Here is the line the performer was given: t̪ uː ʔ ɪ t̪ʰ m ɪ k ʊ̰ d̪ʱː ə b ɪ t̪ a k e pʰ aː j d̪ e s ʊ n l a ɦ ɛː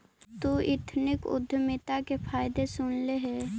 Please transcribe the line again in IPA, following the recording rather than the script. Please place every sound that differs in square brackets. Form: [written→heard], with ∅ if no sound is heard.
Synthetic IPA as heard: t̪ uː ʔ ɪ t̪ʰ [m→n] ɪ k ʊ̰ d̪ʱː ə [b→m] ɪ t̪ a k e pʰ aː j d̪ e s ʊ n l [a→e] ɦ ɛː